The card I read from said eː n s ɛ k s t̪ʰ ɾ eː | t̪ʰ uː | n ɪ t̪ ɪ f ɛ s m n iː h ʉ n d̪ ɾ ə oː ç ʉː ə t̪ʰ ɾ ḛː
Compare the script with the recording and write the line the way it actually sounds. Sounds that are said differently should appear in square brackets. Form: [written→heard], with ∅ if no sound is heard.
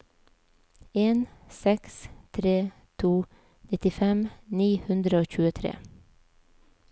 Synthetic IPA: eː n s ɛ k s t̪ʰ ɾ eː | t̪ʰ uː | n ɪ t̪ ɪ f ɛ [s→∅] m n iː h ʉ n d̪ ɾ ə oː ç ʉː ə t̪ʰ ɾ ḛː